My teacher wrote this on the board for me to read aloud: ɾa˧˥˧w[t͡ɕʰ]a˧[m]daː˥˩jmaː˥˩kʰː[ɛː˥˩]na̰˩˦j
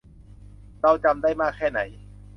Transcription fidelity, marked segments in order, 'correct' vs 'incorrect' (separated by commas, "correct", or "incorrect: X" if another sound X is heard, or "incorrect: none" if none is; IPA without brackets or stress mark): incorrect: t͡ɕ, correct, correct